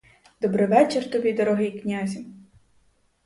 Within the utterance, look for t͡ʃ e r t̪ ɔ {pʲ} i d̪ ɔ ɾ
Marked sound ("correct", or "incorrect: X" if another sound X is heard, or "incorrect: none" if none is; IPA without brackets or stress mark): incorrect: bʲ